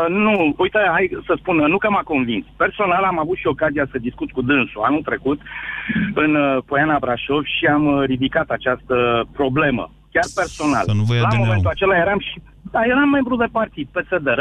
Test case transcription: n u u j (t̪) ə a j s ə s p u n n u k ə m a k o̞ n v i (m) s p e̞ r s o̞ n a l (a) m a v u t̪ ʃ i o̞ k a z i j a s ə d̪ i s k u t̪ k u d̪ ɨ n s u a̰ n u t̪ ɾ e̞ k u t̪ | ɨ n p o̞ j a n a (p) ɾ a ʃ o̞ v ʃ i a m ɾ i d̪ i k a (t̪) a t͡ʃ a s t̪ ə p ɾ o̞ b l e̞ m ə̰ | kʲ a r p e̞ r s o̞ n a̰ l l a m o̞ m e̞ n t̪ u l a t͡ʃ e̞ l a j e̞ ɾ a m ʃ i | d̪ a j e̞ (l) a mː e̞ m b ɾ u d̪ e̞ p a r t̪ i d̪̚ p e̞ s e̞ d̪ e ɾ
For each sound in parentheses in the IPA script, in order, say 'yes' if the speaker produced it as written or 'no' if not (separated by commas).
yes, no, yes, no, yes, no